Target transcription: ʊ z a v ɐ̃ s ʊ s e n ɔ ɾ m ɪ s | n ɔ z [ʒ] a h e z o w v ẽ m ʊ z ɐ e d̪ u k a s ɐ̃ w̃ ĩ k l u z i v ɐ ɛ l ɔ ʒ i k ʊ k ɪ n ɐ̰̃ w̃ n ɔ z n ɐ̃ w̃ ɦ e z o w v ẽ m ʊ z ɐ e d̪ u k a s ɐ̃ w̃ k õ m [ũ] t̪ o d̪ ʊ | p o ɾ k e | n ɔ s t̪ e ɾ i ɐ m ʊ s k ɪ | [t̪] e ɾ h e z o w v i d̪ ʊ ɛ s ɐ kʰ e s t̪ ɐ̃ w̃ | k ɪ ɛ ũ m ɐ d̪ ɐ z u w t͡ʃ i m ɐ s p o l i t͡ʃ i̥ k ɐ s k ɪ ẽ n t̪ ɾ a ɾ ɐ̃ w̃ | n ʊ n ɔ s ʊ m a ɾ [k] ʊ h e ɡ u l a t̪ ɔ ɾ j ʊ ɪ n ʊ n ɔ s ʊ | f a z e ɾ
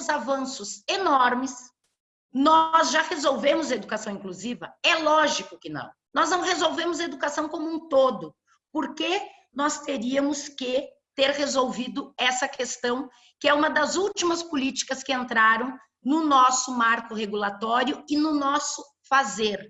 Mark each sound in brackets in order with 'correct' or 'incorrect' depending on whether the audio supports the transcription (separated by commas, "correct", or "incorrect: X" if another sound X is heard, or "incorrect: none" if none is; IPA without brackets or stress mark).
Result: correct, correct, correct, correct